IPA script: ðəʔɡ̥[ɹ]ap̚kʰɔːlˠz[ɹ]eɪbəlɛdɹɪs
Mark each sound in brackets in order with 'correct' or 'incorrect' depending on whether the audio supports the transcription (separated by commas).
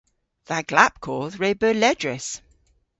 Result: incorrect, correct